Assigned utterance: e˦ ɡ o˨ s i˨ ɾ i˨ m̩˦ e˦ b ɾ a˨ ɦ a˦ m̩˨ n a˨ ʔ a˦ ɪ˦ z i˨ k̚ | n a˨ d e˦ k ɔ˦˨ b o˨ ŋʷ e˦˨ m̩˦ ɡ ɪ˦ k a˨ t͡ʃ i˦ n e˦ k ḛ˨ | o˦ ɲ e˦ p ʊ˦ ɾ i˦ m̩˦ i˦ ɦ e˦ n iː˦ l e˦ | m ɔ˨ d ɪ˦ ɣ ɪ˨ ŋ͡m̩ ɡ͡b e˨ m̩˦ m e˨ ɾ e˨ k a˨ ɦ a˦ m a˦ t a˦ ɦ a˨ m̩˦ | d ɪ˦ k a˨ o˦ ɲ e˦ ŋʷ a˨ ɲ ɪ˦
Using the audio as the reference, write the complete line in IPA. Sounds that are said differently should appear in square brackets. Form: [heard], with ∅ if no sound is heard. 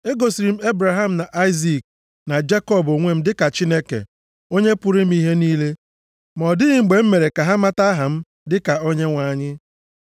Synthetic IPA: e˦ ɡ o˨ s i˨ ɾ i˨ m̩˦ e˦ b ɾ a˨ ɦ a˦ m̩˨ n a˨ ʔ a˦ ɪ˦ z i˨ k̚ | n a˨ [d͡ʒ] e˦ k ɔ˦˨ b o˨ ŋʷ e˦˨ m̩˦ [d] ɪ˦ k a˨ t͡ʃ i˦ n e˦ k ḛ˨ | o˦ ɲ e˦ p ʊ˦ ɾ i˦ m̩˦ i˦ ɦ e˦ n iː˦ l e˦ | m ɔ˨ d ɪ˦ ɣ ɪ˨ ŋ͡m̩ ɡ͡b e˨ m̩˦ m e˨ ɾ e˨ k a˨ ɦ a˦ m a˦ t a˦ ɦ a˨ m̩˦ | d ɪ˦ k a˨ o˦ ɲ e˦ ŋʷ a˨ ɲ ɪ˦

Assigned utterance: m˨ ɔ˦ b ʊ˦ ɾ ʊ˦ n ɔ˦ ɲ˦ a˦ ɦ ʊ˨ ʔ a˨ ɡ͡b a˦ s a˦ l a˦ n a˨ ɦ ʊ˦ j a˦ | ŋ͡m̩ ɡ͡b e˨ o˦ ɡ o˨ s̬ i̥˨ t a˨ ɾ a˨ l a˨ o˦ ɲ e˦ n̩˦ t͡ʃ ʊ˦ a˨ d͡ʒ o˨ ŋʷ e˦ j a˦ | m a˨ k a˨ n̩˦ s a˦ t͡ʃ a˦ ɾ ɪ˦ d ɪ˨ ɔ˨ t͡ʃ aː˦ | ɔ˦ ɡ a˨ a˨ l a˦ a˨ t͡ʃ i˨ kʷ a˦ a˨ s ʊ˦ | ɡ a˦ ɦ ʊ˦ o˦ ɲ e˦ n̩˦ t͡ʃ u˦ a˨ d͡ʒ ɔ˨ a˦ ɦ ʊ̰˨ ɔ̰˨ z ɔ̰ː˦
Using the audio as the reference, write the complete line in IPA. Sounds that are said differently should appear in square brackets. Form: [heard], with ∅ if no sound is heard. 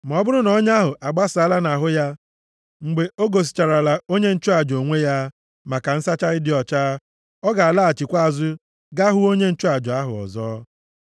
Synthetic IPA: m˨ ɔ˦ b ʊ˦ ɾ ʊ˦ n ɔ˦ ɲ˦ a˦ ɦ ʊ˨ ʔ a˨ ɡ͡b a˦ s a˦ l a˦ n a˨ ɦ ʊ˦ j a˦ | ŋ͡m̩ ɡ͡b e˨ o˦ ɡ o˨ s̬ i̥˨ [t͡ʃ] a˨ ɾ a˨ l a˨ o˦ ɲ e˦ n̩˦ t͡ʃ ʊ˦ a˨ d͡ʒ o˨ ŋʷ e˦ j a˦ | m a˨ k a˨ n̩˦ s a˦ t͡ʃ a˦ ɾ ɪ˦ d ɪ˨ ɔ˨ t͡ʃ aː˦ | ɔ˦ ɡ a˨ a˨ l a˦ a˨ t͡ʃ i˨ kʷ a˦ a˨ [z] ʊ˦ | ɡ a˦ ɦ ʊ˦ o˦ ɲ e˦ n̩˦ t͡ʃ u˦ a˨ d͡ʒ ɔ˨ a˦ ɦ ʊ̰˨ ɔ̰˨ z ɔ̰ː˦

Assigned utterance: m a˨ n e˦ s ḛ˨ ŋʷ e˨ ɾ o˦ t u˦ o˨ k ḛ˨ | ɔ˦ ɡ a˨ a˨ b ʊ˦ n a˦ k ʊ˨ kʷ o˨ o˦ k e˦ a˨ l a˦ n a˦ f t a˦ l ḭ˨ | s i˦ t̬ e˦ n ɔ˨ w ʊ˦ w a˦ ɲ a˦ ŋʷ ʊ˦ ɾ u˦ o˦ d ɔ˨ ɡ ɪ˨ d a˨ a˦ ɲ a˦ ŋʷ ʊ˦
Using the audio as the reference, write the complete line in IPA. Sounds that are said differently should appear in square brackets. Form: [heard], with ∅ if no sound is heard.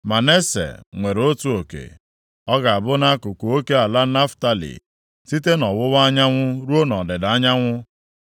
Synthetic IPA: m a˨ n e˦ s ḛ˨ ŋʷ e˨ ɾ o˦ t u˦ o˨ k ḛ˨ | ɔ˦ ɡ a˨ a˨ b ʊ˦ n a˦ k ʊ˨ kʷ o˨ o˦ k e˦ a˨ l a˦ n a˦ f t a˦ l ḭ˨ | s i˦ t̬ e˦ n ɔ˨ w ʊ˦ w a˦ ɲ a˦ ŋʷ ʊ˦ ɾ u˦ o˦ [n] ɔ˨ [d] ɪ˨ d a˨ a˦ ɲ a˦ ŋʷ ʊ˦

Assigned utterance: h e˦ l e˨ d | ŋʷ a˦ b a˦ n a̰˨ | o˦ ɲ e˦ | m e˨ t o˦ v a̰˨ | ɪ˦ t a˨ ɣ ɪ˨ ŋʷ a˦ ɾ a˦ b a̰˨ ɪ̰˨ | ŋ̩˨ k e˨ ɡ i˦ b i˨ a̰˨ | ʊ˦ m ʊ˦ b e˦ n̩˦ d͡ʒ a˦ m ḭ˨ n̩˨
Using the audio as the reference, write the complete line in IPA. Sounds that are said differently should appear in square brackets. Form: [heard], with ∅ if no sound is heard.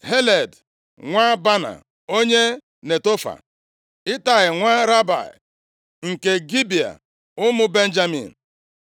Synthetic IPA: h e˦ l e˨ d | ŋʷ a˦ b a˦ n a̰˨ | o˦ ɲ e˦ | [n] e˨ t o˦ [f] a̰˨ | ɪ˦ t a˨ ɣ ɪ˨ ŋʷ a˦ ɾ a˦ b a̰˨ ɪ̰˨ | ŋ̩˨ k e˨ ɡ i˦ b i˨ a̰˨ | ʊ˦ m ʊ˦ b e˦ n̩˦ d͡ʒ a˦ m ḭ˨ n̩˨

